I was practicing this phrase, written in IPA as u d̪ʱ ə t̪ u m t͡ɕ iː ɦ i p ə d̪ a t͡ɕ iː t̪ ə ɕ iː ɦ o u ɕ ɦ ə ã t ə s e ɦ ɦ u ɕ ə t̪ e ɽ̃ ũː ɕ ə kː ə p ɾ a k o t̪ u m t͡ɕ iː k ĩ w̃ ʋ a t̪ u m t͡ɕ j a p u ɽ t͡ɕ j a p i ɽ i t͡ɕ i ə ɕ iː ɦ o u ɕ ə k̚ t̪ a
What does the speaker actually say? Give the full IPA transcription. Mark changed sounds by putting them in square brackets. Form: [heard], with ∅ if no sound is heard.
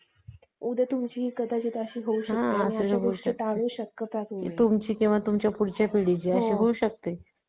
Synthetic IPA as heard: u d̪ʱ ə t̪ u m t͡ɕ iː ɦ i [k] ə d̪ a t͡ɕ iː t̪ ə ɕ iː ɦ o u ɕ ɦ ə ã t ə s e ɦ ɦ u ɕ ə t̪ [a] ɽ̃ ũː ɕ ə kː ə p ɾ a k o t̪ u m t͡ɕ iː k ĩ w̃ ʋ a t̪ u m t͡ɕ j a p u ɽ t͡ɕ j a p i ɽ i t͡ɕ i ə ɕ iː ɦ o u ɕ ə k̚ t̪ [e]